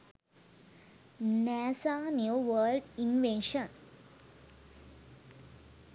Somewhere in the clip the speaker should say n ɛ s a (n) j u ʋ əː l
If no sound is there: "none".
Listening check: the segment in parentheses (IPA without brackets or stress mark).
n